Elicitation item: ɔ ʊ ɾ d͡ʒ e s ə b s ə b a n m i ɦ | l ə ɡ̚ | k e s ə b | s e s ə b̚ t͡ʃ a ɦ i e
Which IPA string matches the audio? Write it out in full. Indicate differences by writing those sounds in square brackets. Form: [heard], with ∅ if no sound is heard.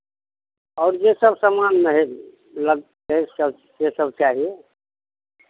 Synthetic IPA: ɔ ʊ ɾ d͡ʒ e s ə b s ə [m] a n m [e] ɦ | l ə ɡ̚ | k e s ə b | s e s ə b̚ t͡ʃ a ɦ i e